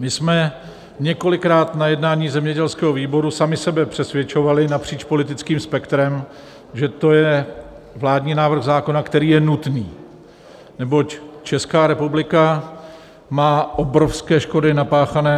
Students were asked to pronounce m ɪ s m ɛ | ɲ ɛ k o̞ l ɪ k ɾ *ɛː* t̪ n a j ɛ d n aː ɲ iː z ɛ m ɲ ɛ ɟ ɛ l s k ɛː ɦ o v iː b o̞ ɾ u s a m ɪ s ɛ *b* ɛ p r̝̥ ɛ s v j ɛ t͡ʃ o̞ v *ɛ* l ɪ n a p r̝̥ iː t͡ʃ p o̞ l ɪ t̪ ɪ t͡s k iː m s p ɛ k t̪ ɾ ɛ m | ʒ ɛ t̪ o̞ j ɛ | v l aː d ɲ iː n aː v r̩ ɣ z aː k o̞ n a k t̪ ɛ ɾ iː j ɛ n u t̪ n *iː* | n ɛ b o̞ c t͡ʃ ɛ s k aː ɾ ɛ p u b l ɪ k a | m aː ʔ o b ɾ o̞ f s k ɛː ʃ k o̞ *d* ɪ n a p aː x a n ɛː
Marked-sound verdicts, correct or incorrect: incorrect: aː, correct, incorrect: a, correct, correct

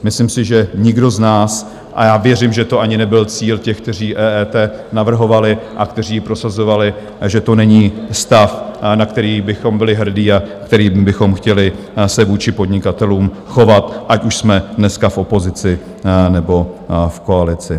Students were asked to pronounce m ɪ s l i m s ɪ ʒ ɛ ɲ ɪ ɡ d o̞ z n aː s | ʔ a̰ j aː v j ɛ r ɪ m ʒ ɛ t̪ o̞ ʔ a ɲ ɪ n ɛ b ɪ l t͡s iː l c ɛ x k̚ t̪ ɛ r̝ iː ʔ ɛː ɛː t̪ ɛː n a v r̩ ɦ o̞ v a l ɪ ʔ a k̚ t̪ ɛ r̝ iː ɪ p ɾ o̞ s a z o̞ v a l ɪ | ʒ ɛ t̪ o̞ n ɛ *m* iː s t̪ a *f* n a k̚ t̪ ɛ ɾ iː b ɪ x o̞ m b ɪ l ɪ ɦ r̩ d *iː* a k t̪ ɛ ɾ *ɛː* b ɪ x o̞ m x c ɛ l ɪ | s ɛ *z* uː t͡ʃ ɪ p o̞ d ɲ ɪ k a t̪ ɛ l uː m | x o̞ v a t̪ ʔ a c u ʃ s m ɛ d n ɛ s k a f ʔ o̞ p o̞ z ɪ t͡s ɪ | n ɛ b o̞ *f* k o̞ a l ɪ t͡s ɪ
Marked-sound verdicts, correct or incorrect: incorrect: ɲ, correct, correct, incorrect: iː, incorrect: v, correct

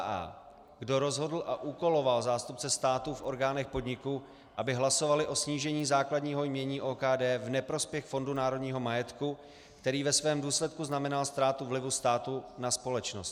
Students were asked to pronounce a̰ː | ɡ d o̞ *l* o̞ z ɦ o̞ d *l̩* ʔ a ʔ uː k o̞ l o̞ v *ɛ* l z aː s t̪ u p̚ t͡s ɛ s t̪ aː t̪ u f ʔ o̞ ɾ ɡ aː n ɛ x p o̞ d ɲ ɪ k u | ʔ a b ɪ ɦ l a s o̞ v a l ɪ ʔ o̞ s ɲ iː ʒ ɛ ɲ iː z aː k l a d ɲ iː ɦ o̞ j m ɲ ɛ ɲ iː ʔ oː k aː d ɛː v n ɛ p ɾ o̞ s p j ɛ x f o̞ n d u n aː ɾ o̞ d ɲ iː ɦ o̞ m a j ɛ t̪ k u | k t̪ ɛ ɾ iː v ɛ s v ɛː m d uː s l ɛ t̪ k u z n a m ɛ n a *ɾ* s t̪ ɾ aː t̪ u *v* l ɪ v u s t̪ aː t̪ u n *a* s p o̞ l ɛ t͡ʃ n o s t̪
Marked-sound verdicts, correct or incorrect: incorrect: ɾ, correct, incorrect: a, incorrect: l, correct, correct

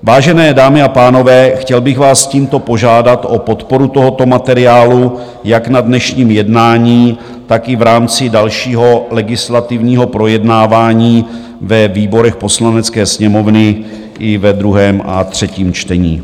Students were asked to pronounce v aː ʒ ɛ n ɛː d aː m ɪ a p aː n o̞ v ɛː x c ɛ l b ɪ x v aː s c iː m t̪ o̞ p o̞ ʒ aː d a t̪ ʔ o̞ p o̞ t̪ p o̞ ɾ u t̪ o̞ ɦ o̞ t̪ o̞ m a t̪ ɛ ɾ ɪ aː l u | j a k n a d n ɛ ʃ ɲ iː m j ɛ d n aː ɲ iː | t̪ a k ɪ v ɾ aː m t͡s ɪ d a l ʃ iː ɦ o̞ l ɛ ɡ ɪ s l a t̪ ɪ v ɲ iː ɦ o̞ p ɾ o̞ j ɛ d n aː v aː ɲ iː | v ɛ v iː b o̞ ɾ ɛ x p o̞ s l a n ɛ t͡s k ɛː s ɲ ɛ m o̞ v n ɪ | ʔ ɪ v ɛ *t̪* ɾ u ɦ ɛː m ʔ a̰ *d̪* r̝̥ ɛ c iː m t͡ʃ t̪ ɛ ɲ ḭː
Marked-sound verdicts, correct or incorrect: incorrect: d̪, incorrect: t̪

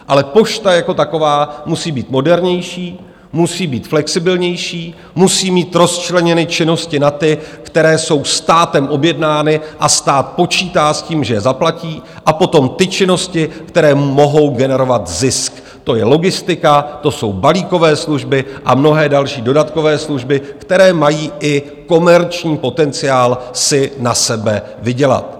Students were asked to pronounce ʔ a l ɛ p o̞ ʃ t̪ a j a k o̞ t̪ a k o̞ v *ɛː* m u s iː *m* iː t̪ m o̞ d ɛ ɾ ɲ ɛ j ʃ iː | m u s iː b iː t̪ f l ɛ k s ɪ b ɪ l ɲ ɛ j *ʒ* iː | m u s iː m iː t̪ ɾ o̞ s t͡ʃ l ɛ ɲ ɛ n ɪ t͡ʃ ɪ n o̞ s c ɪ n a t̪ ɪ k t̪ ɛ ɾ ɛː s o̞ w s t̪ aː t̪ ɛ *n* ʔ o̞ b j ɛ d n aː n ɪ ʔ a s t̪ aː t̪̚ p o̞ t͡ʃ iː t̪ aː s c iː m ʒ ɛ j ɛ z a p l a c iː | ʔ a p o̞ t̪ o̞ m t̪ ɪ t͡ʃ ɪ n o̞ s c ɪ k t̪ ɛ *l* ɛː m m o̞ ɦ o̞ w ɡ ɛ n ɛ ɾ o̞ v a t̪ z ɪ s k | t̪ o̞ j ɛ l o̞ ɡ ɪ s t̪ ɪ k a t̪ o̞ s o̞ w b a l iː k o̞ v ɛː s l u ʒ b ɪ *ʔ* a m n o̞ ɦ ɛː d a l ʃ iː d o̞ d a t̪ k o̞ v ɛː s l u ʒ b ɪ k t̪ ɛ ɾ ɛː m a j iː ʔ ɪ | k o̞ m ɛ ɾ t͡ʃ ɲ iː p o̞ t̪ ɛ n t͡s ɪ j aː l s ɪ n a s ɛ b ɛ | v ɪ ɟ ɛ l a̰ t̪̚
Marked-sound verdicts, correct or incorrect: incorrect: aː, incorrect: b, incorrect: ʃ, incorrect: m, incorrect: ɾ, correct

